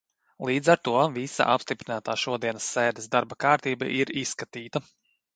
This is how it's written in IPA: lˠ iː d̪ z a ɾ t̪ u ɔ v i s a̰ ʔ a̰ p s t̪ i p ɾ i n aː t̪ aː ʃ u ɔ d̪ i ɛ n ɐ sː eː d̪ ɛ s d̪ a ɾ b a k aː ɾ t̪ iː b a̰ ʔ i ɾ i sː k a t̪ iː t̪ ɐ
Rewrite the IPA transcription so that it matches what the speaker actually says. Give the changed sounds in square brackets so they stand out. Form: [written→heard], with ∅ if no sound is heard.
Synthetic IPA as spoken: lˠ iː d̪ z a ɾ t̪ u ɔ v i s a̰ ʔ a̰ p s t̪ i p ɾ i n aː t̪ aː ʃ u ɔ d̪ i ɛ n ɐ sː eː d̪ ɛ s d̪ a ɾ b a k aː ɾ t̪ iː b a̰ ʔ i ɾ i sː k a t̪ iː t̪ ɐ

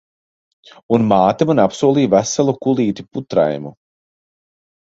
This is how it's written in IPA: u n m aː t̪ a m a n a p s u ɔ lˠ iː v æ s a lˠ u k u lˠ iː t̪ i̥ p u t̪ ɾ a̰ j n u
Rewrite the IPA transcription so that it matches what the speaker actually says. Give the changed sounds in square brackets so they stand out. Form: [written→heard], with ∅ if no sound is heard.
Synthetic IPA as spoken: u n m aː t̪ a m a n a p s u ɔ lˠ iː v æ s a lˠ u k u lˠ iː t̪ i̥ p u t̪ ɾ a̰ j [n→m] u

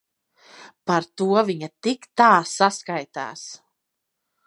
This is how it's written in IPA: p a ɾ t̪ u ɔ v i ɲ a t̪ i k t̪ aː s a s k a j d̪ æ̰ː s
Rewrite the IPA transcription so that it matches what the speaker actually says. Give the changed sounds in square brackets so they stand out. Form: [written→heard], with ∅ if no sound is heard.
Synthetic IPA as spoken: p a ɾ t̪ u ɔ v i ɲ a t̪ i k t̪ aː s a s k a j [d̪→t̪] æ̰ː s

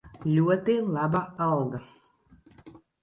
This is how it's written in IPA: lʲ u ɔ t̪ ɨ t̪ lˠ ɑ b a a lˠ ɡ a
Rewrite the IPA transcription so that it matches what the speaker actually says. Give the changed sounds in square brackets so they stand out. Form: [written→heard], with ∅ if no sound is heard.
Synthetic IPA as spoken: lʲ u ɔ t̪ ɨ [t̪→∅] lˠ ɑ b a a lˠ ɡ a

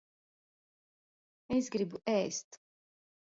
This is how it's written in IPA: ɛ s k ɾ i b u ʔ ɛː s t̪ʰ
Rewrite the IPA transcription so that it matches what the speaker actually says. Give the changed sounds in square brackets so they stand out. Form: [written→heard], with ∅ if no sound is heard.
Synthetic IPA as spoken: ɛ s [k→ɡ] ɾ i b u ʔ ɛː s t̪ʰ

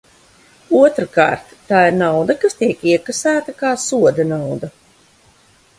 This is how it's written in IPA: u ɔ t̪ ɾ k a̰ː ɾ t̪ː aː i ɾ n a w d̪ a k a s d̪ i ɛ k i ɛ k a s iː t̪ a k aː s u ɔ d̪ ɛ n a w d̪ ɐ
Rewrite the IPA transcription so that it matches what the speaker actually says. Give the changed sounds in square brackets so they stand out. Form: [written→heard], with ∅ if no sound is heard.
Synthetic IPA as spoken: u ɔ t̪ ɾ k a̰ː ɾ t̪ː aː i ɾ n a w d̪ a k a s [d̪→t̪] i ɛ k i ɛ k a s [iː→æː] t̪ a k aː s u ɔ d̪ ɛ n a w d̪ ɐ

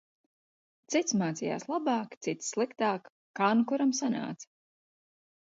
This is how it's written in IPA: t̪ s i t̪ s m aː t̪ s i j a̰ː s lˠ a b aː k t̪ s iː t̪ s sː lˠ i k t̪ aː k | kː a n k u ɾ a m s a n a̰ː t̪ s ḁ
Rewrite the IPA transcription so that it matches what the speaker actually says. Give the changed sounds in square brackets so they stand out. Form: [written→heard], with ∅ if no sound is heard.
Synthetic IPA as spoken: t̪ s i t̪ s m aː t̪ s i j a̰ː s lˠ a b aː k t̪ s [iː→i] t̪ s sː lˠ i k t̪ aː k | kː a n k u ɾ a m s a n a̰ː t̪ s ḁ

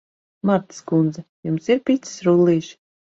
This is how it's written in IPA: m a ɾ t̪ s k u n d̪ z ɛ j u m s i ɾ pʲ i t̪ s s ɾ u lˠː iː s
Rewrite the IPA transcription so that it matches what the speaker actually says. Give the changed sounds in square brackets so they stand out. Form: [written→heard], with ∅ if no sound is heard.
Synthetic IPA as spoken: m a ɾ t̪ s k u n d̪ z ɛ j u m s i ɾ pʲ i t̪ s s ɾ u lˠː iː [s→ʃ]

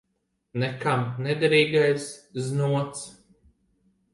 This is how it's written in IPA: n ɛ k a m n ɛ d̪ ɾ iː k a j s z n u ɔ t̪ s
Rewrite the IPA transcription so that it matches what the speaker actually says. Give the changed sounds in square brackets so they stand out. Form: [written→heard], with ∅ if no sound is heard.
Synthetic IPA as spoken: n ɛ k a m n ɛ d̪ ɾ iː [k→ɡ] a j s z n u ɔ t̪ s

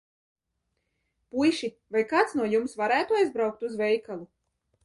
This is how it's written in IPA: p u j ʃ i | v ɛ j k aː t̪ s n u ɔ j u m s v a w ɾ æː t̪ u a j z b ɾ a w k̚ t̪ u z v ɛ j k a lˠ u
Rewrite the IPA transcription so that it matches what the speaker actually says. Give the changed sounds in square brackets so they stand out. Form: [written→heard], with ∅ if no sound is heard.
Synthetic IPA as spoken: p u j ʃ i | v [ɛ→a] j k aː t̪ s n u ɔ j u m s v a [w→∅] ɾ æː t̪ u a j z b ɾ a w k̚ t̪ u z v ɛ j k a lˠ u

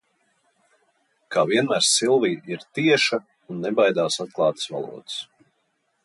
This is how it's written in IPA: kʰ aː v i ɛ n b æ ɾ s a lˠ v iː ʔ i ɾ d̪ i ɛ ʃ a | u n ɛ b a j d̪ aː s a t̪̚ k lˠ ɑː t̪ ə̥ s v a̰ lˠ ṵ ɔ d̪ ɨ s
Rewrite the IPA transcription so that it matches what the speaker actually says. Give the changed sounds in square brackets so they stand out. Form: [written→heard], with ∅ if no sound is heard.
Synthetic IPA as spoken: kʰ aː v i ɛ n [b→m] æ ɾ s [a→i] lˠ v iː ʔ i ɾ [d̪→t̪] i ɛ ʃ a | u [n→nː] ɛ b a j d̪ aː s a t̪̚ k lˠ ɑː t̪ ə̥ s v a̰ lˠ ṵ ɔ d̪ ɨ s

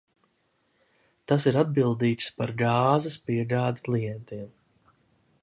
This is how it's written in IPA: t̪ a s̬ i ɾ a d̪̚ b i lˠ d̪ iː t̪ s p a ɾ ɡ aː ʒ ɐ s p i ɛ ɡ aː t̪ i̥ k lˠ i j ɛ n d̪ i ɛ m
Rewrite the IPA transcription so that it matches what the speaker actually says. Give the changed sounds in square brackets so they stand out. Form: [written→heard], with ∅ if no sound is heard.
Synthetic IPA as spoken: t̪ a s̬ i ɾ a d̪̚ b i lˠ d̪ iː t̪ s p a ɾ ɡ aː [ʒ→z] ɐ s p i ɛ ɡ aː [t̪→d̪] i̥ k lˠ i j ɛ n [d̪→t̪] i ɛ m

